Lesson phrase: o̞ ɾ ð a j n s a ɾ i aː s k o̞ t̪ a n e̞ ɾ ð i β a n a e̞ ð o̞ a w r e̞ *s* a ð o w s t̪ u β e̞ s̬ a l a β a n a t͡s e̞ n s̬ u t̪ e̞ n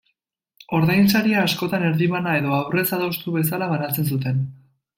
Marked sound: correct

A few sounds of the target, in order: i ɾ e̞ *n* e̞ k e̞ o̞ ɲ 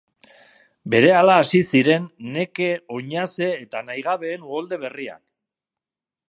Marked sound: incorrect: nː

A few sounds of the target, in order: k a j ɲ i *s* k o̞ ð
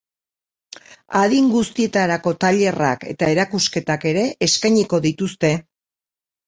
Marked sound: incorrect: none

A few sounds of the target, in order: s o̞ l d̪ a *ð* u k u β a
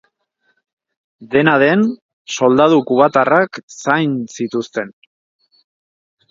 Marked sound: correct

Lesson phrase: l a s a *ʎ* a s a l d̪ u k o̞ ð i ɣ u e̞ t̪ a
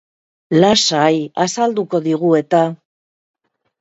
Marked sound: incorrect: j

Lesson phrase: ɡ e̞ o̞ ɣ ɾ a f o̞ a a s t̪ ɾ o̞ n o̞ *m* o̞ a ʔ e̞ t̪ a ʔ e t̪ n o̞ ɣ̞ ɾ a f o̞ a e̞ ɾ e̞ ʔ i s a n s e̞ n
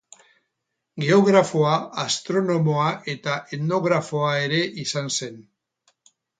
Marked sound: correct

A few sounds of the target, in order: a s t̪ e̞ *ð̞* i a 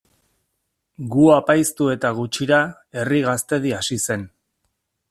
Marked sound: correct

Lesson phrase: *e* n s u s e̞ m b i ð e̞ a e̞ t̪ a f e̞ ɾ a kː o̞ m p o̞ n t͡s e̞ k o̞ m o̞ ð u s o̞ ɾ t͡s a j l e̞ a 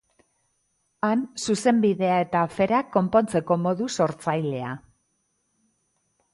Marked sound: incorrect: a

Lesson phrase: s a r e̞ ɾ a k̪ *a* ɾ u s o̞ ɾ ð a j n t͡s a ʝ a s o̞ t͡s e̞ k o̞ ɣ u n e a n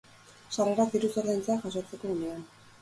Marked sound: incorrect: i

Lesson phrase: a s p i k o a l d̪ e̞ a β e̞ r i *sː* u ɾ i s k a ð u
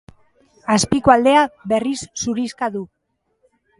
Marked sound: correct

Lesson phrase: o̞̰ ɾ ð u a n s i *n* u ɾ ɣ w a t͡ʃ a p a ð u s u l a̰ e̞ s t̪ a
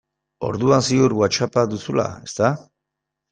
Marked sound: incorrect: none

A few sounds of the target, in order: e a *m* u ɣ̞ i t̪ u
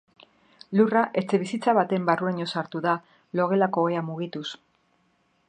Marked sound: correct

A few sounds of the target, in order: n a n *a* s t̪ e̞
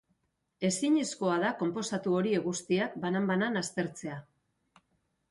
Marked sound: correct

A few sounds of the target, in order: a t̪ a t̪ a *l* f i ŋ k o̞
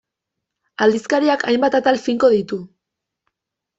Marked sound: correct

